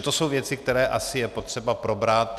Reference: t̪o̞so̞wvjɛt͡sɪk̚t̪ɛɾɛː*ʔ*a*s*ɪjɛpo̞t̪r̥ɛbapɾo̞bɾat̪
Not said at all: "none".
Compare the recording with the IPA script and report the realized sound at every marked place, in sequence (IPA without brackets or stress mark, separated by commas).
ʔ, s